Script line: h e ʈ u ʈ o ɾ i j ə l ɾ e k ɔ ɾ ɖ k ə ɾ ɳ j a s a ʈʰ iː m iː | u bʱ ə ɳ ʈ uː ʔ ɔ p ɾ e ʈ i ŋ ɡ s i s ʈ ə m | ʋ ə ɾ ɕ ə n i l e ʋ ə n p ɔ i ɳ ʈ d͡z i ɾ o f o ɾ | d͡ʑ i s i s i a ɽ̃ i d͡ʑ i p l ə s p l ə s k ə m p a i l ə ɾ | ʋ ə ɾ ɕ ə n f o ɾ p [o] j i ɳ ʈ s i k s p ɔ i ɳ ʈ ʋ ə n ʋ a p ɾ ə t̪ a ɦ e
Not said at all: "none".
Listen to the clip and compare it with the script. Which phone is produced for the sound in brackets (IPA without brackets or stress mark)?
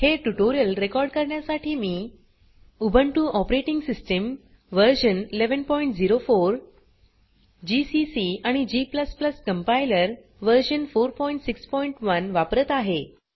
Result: ɔ